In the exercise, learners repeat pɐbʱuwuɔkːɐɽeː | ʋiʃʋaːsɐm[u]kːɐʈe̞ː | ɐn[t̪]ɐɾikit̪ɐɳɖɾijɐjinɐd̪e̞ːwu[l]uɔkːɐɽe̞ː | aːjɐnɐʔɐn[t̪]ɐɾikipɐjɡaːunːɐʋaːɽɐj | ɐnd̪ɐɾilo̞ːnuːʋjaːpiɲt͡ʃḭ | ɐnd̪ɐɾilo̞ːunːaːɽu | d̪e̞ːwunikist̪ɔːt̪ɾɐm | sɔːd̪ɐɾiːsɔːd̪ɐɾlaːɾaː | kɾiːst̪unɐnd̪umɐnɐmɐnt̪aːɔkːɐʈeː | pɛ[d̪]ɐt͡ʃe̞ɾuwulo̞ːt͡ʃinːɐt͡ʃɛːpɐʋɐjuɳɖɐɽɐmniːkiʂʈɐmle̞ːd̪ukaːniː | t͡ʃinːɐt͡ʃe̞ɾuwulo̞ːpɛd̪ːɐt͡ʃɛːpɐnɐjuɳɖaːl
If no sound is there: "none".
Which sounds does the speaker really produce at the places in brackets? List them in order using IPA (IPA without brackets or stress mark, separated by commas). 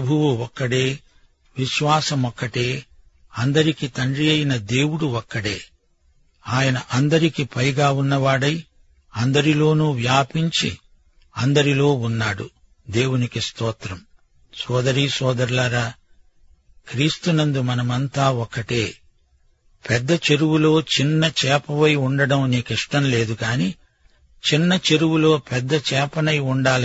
ɔ, d̪, ɽ, d̪, d̪ː